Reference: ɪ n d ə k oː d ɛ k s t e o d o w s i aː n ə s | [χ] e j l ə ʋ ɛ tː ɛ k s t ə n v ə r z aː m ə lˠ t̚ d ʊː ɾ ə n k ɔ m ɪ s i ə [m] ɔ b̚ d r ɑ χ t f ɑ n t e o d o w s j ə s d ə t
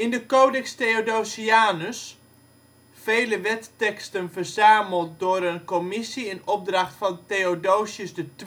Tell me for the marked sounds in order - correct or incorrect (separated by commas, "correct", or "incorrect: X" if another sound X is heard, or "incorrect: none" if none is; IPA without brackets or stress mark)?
incorrect: f, incorrect: n